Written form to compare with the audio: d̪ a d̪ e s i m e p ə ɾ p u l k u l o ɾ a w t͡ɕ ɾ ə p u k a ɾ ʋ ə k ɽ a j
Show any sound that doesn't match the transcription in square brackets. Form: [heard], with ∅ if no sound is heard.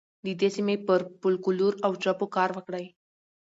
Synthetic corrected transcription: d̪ [i] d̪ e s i m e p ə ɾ p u l k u l [u] ɾ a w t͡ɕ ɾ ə p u k a ɾ ʋ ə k ɽ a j